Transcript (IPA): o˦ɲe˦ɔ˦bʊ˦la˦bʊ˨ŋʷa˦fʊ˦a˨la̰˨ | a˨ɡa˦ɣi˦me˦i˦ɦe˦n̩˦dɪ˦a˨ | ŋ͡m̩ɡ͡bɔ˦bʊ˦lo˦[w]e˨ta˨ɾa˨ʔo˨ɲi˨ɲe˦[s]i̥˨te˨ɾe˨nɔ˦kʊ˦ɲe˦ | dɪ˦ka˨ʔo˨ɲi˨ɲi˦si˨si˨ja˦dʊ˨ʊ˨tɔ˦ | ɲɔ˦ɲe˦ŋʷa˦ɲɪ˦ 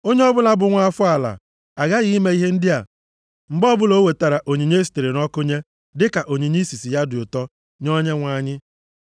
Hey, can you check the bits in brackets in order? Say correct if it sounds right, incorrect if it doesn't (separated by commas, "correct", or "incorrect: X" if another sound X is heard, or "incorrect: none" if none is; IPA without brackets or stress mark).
correct, correct